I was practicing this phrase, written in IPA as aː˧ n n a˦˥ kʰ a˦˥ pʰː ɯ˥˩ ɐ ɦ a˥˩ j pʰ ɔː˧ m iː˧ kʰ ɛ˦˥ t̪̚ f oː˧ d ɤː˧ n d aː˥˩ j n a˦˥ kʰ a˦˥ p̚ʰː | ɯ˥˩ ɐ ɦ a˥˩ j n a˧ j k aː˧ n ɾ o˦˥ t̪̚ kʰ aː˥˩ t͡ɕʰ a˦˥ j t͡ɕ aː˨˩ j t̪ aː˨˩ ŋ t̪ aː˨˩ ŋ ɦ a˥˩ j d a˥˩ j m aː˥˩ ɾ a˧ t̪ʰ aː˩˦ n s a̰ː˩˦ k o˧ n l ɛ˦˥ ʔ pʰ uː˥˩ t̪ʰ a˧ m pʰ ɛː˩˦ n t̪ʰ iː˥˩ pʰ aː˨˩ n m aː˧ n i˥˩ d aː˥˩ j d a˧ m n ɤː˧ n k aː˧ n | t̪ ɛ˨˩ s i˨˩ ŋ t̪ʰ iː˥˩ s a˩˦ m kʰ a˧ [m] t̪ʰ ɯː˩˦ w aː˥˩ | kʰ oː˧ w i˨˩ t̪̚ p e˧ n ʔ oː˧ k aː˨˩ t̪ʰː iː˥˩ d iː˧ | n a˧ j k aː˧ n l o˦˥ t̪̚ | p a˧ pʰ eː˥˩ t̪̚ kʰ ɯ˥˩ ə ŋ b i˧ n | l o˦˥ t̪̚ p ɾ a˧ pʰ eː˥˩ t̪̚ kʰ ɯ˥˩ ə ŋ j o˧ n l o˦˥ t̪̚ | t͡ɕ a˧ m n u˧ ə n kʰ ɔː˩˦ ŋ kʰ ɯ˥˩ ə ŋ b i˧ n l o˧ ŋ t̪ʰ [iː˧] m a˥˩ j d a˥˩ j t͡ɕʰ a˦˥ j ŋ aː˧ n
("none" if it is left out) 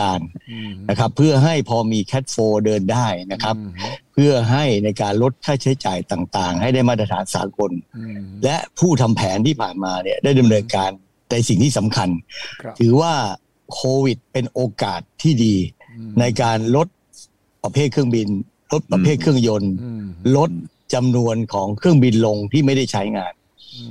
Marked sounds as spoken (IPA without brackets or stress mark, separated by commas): n, iː˥˩